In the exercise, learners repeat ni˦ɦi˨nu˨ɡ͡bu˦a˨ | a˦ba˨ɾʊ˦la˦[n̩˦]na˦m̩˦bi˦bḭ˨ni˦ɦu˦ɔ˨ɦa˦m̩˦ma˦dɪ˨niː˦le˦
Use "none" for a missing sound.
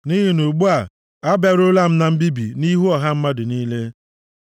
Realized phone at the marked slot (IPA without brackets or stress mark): m̩˦